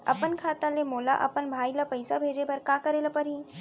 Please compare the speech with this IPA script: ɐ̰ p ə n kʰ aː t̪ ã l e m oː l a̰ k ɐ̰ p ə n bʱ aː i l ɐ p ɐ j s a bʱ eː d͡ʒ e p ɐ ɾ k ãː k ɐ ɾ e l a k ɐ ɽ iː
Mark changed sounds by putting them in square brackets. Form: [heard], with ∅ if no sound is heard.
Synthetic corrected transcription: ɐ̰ p ə n kʰ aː t̪ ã l e m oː l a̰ [ʔ] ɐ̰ p ə n bʱ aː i l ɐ p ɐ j s a bʱ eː d͡ʒ e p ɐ ɾ k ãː k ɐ ɾ e l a [p] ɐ [ɾ] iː